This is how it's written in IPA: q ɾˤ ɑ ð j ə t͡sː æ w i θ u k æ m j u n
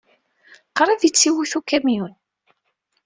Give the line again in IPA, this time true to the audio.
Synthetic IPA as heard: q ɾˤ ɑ ð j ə t͡sː i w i θ u k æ m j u n